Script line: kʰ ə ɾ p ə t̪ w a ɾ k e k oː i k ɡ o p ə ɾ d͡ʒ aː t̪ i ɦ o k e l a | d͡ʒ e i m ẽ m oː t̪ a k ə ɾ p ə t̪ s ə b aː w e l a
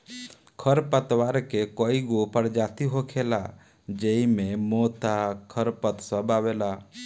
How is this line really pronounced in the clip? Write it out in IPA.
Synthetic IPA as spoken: kʰ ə ɾ p ə t̪ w a ɾ k e k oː i ɡ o p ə ɾ d͡ʒ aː t̪ i ɦ o kʰ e l a | d͡ʒ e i m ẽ m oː t̪ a kʰ ə ɾ p ə t̪ s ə b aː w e l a